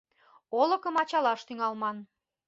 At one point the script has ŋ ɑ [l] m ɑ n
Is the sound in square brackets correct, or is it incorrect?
correct